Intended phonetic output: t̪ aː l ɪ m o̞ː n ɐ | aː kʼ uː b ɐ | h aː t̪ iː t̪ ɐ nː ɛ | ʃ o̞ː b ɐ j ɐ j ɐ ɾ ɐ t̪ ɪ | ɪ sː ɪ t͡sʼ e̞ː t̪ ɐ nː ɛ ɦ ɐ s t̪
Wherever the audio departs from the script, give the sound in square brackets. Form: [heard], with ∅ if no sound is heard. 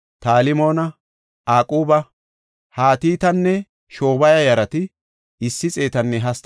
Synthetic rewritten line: t̪ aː l ɪ m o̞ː n ɐ | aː kʼ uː b ɐ | h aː t̪ iː t̪ ɐ nː ɛ | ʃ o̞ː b ɐ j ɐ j ɐ ɾ ɐ t̪ ɪ | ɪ sː ɪ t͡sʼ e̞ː t̪ ɐ nː ɛ ɦ ɐ s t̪